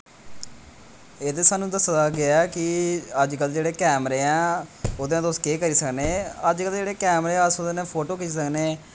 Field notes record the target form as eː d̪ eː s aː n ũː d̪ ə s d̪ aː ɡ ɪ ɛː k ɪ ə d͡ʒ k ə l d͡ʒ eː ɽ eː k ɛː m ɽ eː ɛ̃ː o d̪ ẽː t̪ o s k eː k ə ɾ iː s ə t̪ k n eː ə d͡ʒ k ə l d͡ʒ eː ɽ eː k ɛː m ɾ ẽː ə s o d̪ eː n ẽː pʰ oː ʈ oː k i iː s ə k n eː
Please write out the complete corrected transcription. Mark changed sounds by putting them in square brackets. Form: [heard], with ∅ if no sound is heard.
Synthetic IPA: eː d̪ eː s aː n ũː d̪ ə s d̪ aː ɡ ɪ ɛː k ɪ ə d͡ʒ k ə l d͡ʒ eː ɽ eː k ɛː m [ɾ] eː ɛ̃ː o d̪ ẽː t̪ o s k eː k ə ɾ iː s ə [∅] k n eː ə d͡ʒ k ə l d͡ʒ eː ɽ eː k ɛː m ɾ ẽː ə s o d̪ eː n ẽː pʰ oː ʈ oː k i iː s ə k n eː